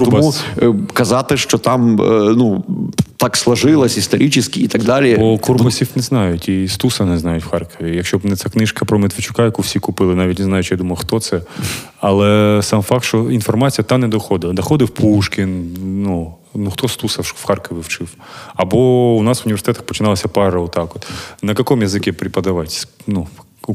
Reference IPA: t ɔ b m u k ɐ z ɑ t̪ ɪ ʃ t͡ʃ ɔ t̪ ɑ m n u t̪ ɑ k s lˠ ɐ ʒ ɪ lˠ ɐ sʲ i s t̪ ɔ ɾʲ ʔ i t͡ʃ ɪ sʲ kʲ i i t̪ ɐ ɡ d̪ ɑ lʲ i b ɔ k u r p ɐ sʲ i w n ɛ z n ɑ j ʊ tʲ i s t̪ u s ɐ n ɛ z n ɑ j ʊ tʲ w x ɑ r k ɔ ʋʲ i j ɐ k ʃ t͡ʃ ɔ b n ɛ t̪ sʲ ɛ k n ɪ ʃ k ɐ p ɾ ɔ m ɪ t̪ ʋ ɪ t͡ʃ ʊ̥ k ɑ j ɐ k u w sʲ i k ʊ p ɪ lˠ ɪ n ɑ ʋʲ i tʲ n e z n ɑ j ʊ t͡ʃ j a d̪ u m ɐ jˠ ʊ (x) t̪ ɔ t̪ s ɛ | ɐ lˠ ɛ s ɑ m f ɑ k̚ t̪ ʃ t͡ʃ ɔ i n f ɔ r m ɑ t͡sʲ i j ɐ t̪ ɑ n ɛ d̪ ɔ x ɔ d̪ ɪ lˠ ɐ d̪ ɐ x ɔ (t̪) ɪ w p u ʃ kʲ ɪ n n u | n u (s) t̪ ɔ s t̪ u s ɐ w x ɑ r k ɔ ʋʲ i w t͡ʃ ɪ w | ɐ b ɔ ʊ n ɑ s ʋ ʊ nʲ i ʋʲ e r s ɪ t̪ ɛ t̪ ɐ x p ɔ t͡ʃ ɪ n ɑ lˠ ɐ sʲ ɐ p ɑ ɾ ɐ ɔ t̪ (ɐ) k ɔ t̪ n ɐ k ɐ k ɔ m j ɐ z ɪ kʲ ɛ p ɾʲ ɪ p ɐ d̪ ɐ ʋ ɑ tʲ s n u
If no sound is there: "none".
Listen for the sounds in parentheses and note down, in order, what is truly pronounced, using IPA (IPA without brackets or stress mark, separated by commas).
x, d̪, x, ɑ